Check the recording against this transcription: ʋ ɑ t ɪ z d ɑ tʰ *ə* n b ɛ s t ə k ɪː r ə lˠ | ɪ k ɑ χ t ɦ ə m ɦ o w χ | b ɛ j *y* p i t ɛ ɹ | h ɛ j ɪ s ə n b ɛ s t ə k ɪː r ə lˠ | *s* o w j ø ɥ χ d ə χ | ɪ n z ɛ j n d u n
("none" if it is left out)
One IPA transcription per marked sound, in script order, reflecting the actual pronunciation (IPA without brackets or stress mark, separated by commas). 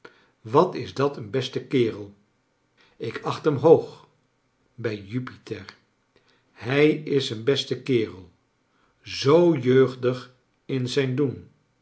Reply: ə, y, z